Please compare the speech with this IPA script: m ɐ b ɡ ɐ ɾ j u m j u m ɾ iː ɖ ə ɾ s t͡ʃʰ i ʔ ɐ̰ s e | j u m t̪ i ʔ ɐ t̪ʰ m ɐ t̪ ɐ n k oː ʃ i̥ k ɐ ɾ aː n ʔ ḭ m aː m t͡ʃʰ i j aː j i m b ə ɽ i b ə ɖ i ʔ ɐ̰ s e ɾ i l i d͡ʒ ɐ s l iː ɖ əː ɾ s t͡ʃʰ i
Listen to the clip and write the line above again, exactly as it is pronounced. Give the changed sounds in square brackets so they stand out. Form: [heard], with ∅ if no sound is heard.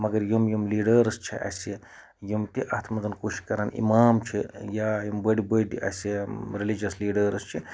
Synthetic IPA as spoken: m ɐ [∅] ɡ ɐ ɾ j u m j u m [l] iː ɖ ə ɾ s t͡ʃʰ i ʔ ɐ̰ s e | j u m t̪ i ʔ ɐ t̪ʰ m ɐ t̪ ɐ n k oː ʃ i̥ k ɐ ɾ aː n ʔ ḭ m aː m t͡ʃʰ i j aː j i m b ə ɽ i b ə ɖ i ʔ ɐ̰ s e ɾ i l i d͡ʒ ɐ s l iː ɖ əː ɾ s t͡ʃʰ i